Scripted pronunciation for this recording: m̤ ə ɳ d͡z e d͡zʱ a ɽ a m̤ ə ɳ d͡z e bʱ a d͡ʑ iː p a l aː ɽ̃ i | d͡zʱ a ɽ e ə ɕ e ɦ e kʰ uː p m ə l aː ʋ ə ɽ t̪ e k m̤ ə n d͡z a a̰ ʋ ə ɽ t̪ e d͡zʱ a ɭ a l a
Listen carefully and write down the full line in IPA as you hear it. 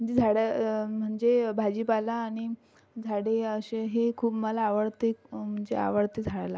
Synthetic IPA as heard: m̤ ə ɳ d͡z e d͡zʱ a ɽ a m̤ ə ɳ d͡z e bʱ a d͡ʑ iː p a l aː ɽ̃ i | d͡zʱ a ɽ e ə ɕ e ɦ e kʰ uː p m ə l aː ʋ ə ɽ t̪ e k m̤ ə ɳ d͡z e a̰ ʋ ə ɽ t̪ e d͡zʱ a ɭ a l a